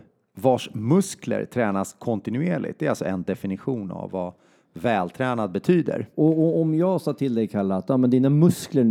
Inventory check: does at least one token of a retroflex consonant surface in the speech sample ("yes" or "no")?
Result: yes